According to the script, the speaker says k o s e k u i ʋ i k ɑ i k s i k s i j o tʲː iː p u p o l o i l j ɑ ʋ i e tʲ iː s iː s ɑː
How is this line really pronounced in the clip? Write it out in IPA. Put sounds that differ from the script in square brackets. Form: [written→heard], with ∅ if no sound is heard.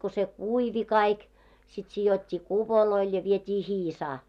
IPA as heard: k o s e k u i ʋ i k ɑ i k s i [k→t] s i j o tʲː iː [p→k] u p o l o i l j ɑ ʋ i e tʲ iː [s→h] iː s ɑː

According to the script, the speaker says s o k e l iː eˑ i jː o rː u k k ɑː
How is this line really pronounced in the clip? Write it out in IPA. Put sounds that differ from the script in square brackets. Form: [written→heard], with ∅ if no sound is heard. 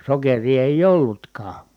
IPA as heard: s o k e [l→r] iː eˑ i [jː→j] o [rː→lː] u [k→t] k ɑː

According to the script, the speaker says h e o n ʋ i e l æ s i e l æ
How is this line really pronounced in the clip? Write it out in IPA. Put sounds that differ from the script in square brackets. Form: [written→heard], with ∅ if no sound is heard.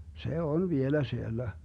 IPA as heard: [h→s] e o n ʋ i e l æ s i e [l→lː] æ

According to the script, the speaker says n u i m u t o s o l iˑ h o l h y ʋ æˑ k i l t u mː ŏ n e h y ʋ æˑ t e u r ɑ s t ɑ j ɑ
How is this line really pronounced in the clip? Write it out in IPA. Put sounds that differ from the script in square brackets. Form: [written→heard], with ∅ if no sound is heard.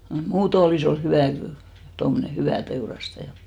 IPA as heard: n [u→o] i m [u→uː] t o [s→∅] o l iˑ [h→s] o l h y ʋ æˑ k [i→y] l t [u→o] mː ŏ n e h y ʋ æˑ t e u r ɑ s t ɑ j ɑ

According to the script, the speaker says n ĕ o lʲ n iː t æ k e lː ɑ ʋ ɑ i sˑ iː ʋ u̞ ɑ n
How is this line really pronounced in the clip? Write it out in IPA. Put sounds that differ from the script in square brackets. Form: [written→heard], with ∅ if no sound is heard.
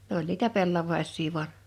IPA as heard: n ĕ o lʲ n iː t æ [k→p] e lː ɑ ʋ ɑ i sˑ iː ʋ u̞ ɑ n

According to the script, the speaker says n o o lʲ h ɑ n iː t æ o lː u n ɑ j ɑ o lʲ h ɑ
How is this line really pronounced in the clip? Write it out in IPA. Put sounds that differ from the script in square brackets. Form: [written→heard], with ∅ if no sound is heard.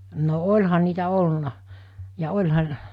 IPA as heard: n o o lʲ h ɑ n iː t æ o lː u n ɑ j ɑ o lʲ h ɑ

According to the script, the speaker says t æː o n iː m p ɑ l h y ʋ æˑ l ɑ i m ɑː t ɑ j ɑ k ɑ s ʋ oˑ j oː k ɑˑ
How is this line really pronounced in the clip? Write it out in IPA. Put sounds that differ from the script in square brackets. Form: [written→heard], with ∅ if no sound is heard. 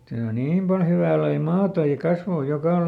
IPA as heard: t æː o n iː m p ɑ l h y ʋ æˑ l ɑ i m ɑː t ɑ j ɑ k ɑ s ʋ oˑ j [oː→o] k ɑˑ

